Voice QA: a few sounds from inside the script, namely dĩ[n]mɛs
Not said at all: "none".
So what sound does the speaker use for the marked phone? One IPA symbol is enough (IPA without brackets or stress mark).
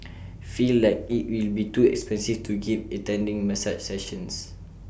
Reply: ŋ